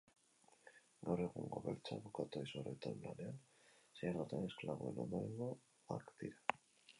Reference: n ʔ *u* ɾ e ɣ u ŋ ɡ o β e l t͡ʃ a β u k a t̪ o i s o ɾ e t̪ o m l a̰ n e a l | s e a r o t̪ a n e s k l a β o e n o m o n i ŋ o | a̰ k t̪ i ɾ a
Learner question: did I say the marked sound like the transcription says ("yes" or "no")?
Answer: no